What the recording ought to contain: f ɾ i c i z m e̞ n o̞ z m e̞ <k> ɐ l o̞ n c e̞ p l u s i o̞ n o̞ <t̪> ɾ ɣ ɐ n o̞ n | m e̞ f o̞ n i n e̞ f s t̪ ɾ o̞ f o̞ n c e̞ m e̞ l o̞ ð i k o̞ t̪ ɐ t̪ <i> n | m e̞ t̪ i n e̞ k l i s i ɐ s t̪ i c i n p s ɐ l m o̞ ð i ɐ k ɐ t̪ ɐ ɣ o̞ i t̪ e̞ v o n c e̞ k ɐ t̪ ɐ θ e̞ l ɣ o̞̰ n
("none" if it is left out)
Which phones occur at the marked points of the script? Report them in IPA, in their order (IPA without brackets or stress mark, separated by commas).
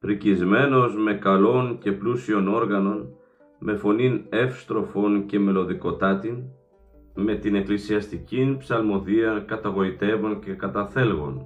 k, none, i